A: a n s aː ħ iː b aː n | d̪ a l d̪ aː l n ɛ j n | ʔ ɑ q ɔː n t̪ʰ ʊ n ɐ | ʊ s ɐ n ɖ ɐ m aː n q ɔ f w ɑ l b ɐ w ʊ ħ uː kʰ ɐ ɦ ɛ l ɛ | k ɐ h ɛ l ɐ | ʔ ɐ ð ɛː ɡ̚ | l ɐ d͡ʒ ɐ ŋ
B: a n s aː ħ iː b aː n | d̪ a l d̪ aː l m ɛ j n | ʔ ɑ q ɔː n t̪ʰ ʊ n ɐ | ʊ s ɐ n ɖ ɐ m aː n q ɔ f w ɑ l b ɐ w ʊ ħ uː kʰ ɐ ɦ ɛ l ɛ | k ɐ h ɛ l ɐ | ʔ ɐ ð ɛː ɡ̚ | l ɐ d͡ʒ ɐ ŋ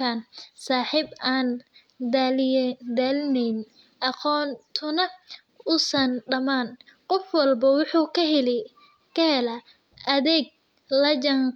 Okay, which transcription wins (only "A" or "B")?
A